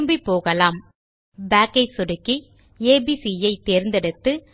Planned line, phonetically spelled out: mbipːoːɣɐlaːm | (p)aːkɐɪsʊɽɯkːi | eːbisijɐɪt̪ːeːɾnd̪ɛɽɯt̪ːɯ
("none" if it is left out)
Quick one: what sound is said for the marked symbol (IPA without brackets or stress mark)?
b